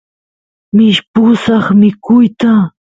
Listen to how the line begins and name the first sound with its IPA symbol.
m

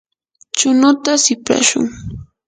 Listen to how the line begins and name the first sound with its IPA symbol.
t͡ʃ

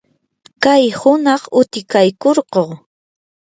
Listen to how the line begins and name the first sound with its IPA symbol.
k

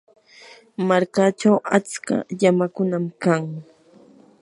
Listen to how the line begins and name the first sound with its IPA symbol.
m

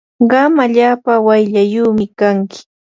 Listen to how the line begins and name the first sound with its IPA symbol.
ɢ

